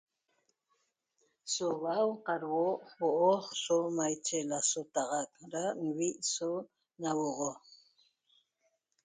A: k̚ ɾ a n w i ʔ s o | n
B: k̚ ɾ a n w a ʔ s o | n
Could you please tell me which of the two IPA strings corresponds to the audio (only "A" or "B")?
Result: A